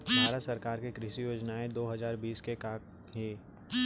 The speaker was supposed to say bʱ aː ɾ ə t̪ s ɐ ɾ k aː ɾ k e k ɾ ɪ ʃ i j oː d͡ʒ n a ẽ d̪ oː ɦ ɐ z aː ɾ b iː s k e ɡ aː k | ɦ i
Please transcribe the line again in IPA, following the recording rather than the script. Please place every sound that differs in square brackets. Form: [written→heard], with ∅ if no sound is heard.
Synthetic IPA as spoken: bʱ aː ɾ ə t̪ s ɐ ɾ k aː ɾ k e k ɾ ɪ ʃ i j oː d͡ʒ n a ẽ d̪ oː ɦ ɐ z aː ɾ b iː s k e [ɡ→k] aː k | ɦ i

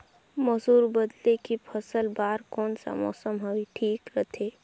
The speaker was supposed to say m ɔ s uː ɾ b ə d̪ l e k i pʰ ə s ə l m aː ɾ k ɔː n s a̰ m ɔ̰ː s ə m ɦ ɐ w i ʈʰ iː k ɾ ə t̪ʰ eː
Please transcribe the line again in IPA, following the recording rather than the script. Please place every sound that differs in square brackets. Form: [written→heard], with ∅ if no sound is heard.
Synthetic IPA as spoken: m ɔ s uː ɾ b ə d̪ l e k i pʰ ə s ə l [m→b] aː ɾ k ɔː n s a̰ m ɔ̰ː s ə m ɦ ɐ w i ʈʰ iː k ɾ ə t̪ʰ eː

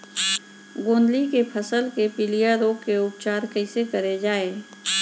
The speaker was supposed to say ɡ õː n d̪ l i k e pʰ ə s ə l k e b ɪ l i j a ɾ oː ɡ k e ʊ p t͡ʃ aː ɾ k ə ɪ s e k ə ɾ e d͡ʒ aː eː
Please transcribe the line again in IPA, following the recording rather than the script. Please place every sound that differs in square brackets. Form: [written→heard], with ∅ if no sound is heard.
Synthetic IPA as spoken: ɡ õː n d̪ l i k e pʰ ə s ə l k e [b→p] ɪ l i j a ɾ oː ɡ k e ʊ p t͡ʃ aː ɾ k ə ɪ s e k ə ɾ e d͡ʒ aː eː

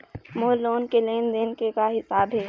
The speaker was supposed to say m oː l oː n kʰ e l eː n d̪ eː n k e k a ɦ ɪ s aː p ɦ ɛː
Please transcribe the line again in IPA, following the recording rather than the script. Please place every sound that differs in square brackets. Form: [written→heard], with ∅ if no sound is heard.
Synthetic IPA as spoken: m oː l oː n [kʰ→k] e l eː n d̪ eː n k e k a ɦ ɪ s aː [p→b] ɦ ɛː

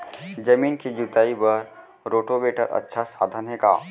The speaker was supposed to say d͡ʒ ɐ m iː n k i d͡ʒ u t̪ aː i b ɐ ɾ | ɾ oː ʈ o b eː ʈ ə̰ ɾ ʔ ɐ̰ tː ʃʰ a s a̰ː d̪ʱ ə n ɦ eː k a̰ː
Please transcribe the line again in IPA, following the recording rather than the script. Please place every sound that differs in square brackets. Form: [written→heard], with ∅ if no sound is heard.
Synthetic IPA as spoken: d͡ʒ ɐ m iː n k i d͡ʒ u t̪ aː i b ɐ ɾ | ɾ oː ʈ o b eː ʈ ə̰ ɾ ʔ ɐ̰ tː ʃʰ a s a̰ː d̪ʱ ə n ɦ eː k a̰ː

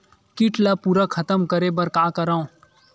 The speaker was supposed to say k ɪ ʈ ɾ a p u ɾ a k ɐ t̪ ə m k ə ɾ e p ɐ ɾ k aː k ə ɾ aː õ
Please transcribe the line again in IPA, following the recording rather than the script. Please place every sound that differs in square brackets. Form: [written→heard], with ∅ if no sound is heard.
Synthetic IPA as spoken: k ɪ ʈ [ɾ→l] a p u ɾ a [k→kʰ] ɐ t̪ ə m k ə ɾ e [p→b] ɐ ɾ k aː k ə ɾ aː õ

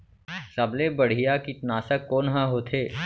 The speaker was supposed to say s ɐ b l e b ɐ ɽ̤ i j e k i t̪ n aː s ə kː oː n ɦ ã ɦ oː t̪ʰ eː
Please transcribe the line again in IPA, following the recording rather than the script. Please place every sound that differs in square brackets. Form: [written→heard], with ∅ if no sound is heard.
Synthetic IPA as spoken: s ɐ b l e b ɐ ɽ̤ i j [e→a] k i t̪ n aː s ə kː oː n ɦ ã ɦ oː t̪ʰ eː

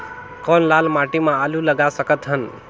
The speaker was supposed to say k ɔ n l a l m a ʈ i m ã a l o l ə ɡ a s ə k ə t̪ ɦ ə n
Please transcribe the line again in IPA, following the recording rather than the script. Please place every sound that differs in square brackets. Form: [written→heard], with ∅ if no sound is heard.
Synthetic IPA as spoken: k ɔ n l a l m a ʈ i m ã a l [o→u] l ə ɡ a s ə k ə t̪ ɦ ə n

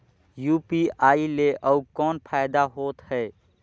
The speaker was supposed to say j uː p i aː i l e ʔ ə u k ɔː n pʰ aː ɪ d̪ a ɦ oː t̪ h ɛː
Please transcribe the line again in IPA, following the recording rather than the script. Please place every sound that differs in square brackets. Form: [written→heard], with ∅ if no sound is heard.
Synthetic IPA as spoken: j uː p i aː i l e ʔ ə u k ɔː n pʰ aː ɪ d̪ a ɦ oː t̪ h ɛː

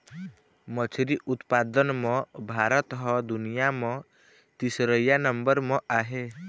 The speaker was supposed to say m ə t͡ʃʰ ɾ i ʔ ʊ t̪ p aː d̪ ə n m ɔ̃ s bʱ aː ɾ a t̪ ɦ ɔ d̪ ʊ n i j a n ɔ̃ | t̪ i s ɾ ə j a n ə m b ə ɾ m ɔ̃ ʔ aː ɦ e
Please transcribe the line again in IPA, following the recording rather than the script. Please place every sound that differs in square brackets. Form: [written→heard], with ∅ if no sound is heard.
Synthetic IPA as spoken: m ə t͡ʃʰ ɾ i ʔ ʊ t̪ p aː d̪ ə n m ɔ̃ [s→∅] bʱ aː ɾ [a→ə] t̪ ɦ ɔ d̪ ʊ n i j a [n→m] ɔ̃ | t̪ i s ɾ ə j a n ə m b ə ɾ m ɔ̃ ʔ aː ɦ e

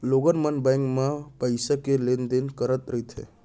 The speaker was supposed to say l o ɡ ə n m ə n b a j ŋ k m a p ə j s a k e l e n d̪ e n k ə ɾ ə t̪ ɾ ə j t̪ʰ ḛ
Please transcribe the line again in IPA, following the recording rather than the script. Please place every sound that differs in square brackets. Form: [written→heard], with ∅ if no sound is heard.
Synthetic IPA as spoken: l o ɡ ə n m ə n b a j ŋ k m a p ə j s a k e l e n d̪ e n k ə ɾ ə t̪ ɾ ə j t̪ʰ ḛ

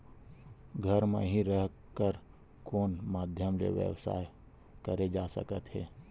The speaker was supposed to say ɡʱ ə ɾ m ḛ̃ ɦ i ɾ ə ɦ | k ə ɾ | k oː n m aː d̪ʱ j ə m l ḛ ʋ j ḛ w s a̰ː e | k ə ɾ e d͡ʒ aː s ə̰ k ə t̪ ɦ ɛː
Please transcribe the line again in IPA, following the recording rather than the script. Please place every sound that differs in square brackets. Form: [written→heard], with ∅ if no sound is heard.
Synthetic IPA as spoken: ɡʱ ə ɾ m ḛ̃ ɦ i ɾ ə ɦ | k ə ɾ | k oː n m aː d̪ʱ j ə m l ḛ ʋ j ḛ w s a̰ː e | k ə ɾ e d͡ʒ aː s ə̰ k ə t̪ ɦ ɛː

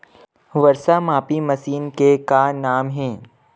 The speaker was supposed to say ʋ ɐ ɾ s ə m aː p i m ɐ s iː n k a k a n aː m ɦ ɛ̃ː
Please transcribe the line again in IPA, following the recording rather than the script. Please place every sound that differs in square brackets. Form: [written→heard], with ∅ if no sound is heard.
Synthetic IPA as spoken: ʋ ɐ ɾ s [ə→a] m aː p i m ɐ s iː n k [a→e] k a n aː m ɦ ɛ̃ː

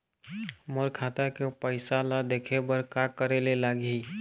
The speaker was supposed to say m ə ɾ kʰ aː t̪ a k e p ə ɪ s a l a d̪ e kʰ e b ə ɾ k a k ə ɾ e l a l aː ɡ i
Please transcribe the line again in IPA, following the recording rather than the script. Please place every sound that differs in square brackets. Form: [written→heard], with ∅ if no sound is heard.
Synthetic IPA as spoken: m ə ɾ kʰ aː t̪ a k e p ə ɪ s a l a d̪ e kʰ e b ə ɾ k a k ə ɾ e l [a→e] l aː ɡ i

